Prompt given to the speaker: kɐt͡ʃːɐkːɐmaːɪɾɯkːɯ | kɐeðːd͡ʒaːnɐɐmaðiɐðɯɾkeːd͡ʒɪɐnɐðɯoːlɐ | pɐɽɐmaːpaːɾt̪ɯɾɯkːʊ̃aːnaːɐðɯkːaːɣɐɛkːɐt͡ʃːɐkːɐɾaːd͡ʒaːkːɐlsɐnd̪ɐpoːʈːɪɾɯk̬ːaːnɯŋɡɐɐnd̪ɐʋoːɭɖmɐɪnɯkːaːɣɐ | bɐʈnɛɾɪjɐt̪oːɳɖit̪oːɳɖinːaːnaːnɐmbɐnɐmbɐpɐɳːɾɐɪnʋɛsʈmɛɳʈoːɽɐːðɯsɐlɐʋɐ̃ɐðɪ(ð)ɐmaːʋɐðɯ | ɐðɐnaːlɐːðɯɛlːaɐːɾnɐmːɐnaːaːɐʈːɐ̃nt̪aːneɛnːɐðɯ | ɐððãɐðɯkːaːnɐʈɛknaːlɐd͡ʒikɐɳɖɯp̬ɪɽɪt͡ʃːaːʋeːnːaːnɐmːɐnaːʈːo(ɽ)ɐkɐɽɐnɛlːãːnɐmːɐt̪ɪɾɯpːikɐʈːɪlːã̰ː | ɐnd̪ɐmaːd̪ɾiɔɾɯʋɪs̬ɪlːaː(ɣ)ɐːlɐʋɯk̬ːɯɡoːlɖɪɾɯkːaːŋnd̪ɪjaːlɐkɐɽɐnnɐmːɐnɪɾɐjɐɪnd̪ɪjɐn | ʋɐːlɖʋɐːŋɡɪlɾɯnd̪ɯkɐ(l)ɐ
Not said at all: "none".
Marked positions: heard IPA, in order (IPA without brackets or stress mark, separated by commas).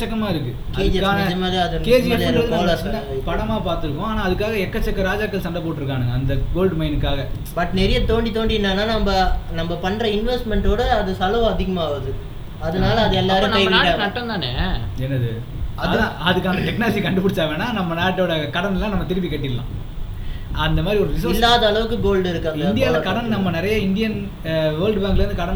ɣ, ɽ, ð, ɽ